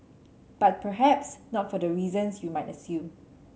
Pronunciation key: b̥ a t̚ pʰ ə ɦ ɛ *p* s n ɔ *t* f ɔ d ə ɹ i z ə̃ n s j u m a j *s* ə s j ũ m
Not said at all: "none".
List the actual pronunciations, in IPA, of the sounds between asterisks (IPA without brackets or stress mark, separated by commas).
p, t, t